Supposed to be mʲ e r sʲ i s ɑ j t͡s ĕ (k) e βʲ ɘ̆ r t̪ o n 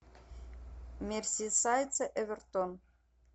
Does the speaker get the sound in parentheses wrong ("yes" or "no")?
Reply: yes